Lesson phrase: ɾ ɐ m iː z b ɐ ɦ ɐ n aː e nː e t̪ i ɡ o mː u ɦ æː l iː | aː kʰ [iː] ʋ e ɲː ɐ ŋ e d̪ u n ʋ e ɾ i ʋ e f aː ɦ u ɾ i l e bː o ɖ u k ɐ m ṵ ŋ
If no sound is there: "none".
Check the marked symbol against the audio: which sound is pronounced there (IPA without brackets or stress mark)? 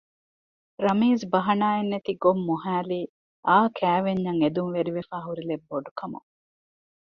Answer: æː